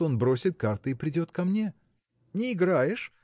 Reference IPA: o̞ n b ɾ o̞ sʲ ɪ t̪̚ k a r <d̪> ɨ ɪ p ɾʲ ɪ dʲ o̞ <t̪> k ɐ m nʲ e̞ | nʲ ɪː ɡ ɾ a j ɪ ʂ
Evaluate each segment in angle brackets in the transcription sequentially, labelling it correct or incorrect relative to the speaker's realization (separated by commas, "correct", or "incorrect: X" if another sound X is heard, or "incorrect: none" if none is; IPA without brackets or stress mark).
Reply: incorrect: t̪, correct